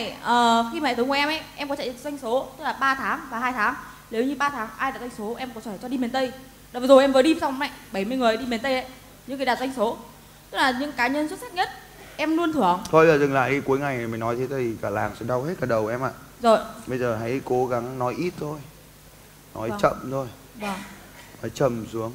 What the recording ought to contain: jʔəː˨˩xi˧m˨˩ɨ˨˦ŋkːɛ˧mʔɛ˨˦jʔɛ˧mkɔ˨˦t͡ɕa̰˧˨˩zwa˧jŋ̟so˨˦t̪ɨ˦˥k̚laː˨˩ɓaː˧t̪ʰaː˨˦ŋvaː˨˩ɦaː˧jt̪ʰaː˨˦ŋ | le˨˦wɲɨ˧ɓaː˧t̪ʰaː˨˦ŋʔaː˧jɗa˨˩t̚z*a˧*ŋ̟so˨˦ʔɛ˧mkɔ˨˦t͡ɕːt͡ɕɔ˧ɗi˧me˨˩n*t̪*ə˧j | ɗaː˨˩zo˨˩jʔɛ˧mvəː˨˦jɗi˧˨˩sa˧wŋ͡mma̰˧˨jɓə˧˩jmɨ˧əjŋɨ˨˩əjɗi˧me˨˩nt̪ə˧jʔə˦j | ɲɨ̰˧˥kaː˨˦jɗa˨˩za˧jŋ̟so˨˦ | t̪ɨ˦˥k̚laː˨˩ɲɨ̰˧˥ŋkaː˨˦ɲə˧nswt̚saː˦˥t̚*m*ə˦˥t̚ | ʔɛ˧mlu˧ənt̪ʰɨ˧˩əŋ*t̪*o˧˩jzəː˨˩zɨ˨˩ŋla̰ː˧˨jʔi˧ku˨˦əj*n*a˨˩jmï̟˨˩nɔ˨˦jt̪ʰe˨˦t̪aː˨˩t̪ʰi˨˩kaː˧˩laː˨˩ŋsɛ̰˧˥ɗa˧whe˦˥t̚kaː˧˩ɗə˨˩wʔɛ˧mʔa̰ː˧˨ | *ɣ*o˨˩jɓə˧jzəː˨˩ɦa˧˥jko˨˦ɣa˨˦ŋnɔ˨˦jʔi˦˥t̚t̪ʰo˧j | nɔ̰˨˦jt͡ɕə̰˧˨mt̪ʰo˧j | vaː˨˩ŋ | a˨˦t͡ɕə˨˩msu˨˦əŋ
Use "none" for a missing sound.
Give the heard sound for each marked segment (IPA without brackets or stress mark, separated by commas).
a˧, t̪, ɲ, t̪ʰ, ŋ, z